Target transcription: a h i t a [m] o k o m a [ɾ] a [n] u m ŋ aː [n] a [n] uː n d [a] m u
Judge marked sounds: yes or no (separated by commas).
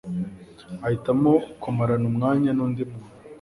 yes, yes, yes, no, yes, no